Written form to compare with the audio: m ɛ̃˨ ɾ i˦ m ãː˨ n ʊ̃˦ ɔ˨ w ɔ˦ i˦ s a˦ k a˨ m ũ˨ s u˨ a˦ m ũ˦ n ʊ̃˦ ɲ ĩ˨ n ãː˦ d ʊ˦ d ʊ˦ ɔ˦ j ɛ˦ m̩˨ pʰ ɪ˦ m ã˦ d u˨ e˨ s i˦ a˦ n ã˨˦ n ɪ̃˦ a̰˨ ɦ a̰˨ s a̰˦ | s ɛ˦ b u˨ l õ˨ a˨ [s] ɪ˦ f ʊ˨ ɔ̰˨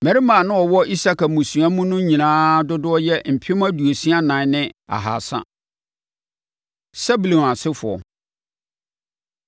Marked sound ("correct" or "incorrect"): correct